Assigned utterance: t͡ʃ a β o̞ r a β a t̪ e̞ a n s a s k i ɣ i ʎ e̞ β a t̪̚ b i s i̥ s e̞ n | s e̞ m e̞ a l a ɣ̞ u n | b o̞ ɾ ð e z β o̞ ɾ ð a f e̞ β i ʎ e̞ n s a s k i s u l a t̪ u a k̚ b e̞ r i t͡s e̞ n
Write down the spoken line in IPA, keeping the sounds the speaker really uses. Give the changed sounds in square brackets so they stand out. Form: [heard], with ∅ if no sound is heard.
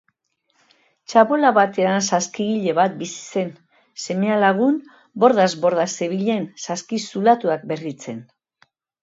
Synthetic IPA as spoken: t͡ʃ a β o̞ [l] a β a t̪ e̞ a n s a s k i ɣ i ʎ e̞ β a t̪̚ b i s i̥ s e̞ n | s e̞ m e̞ a l a ɣ̞ u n | b o̞ ɾ ð [a] z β o̞ ɾ ð a [s] e̞ β i ʎ e̞ n s a s k i s u l a t̪ u a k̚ b e̞ r i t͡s e̞ n